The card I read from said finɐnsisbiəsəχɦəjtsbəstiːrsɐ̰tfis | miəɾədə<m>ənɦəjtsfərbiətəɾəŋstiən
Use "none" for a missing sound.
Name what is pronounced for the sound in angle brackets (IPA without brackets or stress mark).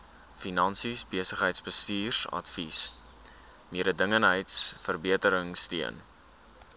ŋ